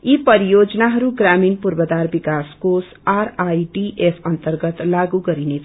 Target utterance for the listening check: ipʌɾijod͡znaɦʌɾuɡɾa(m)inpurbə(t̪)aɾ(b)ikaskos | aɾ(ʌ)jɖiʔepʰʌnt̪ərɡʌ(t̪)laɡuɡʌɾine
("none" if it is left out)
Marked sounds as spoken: m, d̪, b, a, t̪

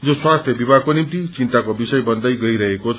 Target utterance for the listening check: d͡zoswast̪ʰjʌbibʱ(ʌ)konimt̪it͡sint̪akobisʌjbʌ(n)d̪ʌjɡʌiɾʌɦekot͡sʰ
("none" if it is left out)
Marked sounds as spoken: a, n

